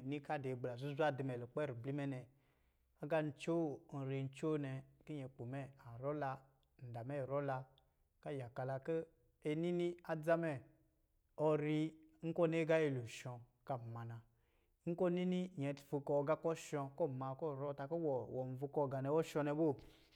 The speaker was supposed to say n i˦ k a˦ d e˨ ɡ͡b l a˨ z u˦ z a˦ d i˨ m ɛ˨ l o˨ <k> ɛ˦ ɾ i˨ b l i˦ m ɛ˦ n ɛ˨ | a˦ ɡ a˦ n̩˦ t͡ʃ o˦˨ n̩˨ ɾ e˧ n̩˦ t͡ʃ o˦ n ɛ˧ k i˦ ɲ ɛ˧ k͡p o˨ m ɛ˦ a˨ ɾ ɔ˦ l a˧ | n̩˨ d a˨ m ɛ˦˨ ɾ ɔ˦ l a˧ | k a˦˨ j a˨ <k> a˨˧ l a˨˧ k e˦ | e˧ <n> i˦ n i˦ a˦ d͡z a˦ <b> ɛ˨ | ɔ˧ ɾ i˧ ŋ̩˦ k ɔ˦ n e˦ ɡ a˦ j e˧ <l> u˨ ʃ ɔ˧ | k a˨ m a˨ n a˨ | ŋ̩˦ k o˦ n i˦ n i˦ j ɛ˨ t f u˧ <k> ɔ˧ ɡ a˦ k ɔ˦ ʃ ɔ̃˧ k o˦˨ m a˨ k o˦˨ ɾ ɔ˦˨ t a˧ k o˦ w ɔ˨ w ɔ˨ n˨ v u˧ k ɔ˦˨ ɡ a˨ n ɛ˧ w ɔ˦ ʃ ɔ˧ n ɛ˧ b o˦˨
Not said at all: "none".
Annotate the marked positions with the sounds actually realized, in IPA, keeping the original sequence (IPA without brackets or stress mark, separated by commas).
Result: k͡p, k, n, m, l, k